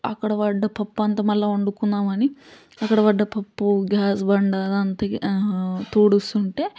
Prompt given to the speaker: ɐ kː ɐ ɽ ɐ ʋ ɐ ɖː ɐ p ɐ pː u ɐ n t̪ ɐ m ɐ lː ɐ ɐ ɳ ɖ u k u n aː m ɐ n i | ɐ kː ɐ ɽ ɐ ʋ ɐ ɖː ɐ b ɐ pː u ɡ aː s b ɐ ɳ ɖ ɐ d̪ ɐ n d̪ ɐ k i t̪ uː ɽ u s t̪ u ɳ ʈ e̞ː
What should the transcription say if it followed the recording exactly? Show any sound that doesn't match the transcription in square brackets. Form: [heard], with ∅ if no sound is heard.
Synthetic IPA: ɐ kː ɐ ɽ ɐ ʋ ɐ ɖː ɐ p ɐ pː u ɐ n t̪ ɐ m ɐ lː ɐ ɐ ɳ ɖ u k u [nː] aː m ɐ n i | ɐ kː ɐ ɽ ɐ ʋ ɐ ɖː ɐ [p] ɐ pː u ɡ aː s b ɐ ɳ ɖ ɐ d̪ ɐ n [t̪] ɐ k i t̪ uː ɽ u s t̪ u ɳ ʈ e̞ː